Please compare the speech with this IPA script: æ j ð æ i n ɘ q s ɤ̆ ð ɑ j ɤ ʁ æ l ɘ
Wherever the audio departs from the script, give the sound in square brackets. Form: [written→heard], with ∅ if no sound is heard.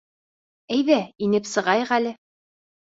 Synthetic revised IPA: æ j ð æ i n ɘ [q→p] s ɤ̆ [ð→ʁ] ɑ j ɤ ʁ æ l ɘ